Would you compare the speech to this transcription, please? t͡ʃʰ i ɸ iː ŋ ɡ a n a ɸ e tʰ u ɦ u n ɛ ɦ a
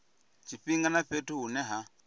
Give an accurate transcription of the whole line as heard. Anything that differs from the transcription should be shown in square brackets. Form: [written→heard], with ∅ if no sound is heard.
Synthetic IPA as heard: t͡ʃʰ i ɸ [iː→i] ŋ ɡ a n a ɸ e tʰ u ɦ u n ɛ ɦ a